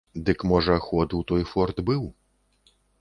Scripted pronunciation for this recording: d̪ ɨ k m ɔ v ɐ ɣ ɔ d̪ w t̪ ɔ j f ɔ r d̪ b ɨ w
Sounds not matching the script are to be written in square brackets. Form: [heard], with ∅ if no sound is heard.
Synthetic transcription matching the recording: d̪ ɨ k m ɔ [ʐ] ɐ [x] ɔ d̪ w t̪ ɔ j f ɔ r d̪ b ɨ w